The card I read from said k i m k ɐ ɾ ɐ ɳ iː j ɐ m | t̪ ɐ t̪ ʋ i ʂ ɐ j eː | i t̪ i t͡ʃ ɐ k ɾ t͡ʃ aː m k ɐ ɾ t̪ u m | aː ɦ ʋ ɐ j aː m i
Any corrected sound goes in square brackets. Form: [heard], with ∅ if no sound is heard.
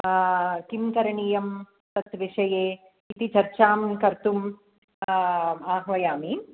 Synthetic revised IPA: k i m k ɐ ɾ ɐ ɳ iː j ɐ m | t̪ ɐ t̪ ʋ i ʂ ɐ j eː | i t̪ i t͡ʃ ɐ [∅] ɾ t͡ʃ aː m k ɐ ɾ t̪ u m | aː ɦ ʋ ɐ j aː m i